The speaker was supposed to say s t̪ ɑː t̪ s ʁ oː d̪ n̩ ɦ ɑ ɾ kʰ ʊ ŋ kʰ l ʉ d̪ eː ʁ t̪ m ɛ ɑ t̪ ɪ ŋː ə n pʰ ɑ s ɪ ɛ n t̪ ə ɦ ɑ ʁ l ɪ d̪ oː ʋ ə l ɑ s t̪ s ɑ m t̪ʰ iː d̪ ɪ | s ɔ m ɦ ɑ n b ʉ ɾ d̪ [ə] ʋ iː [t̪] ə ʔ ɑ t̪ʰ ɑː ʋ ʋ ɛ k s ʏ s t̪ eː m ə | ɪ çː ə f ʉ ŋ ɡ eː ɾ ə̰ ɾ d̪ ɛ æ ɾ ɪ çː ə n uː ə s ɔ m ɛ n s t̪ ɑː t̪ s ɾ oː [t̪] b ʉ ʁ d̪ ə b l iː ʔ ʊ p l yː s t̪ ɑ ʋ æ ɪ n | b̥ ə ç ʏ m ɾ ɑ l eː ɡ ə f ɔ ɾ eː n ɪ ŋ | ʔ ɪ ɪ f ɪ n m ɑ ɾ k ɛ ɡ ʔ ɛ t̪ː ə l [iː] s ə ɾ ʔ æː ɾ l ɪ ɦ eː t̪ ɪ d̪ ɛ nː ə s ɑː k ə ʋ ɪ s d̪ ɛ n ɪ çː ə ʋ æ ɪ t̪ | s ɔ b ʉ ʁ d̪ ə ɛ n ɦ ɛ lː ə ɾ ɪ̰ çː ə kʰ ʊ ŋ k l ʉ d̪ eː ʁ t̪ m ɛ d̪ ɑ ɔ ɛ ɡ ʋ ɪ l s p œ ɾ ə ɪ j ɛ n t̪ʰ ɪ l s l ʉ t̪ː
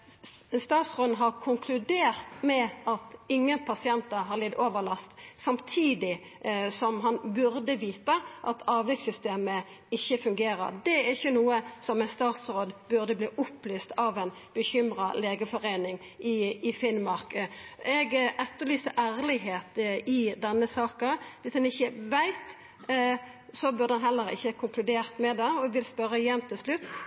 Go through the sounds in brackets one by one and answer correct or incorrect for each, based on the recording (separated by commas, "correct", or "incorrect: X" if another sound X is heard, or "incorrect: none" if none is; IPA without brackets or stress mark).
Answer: correct, correct, incorrect: d̪, incorrect: yː